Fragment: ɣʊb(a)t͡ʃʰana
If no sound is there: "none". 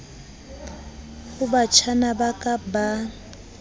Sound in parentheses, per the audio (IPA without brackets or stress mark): a